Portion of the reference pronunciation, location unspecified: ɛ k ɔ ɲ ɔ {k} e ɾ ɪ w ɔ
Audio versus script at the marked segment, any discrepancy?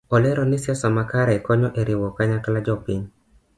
yes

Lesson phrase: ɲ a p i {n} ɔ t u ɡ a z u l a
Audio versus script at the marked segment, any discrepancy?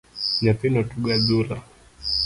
no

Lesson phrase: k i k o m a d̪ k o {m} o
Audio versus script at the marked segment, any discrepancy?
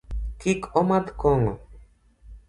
yes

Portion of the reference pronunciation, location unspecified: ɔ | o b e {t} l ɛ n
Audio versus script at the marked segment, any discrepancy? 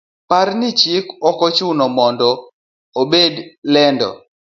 yes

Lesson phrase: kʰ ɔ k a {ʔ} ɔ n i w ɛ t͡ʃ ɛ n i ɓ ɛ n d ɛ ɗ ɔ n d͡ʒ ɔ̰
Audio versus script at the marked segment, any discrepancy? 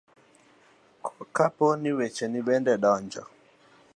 yes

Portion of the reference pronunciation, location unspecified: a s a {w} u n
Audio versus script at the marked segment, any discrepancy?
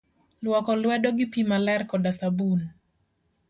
yes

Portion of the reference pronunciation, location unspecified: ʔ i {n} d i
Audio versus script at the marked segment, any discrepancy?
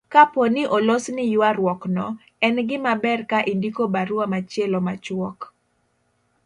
no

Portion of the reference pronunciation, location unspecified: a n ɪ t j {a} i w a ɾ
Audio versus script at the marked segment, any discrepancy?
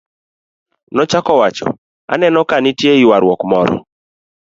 yes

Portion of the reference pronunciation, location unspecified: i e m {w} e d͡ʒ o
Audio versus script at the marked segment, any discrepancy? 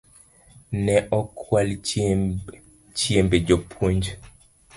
yes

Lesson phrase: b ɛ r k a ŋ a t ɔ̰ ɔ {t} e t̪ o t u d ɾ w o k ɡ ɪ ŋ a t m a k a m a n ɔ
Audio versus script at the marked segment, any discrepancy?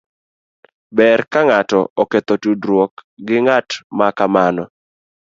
yes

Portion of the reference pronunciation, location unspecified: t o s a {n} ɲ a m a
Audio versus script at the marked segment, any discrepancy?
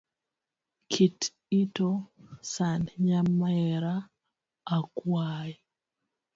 no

